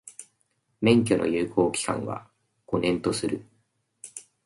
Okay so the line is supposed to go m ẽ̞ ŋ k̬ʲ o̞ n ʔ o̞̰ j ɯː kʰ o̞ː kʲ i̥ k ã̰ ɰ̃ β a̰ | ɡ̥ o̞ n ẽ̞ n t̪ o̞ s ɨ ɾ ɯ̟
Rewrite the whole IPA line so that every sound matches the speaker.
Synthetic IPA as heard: m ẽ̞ ŋ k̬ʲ o̞ n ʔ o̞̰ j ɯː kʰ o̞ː kʲ i̥ k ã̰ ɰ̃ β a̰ | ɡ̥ o̞ n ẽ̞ n t̪ o̞ s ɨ ɾ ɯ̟